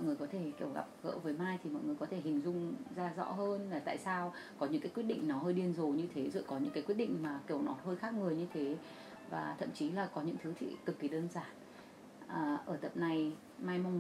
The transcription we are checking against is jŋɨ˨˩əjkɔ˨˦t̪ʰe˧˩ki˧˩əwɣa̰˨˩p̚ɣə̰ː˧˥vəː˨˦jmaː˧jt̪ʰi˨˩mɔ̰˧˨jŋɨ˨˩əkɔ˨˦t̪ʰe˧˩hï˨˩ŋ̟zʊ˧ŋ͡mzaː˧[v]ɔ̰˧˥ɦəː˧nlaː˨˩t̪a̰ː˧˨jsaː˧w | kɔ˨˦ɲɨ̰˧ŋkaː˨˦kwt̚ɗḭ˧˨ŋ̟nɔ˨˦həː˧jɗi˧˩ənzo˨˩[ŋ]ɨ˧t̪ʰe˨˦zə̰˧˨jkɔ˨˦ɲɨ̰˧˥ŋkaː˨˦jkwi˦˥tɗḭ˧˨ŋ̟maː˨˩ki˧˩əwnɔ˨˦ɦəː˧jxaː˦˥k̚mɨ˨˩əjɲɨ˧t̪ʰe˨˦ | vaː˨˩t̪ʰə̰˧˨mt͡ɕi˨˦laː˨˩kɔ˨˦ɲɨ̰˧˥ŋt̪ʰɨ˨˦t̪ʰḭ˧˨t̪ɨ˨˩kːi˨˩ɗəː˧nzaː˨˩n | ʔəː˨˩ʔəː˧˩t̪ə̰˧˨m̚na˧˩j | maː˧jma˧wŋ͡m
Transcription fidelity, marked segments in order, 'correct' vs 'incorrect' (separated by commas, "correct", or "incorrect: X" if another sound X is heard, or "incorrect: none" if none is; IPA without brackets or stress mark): incorrect: z, incorrect: ɲ